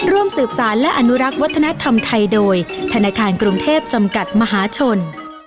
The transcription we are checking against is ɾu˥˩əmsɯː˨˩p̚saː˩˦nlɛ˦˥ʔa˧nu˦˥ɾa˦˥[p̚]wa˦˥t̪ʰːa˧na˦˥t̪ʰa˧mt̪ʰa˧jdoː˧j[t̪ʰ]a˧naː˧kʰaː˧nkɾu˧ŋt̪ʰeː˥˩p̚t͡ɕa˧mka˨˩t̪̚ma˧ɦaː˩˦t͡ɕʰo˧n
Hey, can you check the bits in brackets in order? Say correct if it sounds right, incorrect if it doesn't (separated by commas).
incorrect, correct